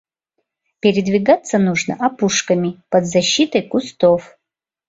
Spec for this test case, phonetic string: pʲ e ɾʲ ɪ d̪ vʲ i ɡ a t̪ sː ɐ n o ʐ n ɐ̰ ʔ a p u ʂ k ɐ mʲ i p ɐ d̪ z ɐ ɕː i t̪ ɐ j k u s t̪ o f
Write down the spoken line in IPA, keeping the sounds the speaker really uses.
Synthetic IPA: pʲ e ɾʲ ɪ d̪ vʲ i ɡ a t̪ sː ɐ n u ʐ n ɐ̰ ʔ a p u ʂ k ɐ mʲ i p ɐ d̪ z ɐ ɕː i t̪ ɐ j k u s t̪ o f